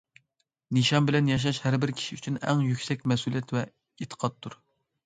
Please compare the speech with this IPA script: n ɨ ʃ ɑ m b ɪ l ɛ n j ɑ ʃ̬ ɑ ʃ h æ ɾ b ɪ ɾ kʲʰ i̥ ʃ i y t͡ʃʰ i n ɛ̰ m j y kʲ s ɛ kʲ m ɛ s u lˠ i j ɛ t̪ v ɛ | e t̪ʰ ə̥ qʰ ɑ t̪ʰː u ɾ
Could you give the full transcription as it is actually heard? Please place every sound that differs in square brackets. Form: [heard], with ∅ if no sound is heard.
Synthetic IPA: n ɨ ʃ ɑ m b ɪ l ɛ n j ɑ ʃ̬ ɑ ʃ h æ ɾ b ɪ ɾ kʲʰ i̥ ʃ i y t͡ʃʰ [y] n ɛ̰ [ŋ] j y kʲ s ɛ kʲ m ɛ s u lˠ i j ɛ t̪ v ɛ | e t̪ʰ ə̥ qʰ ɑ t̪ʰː u ɾ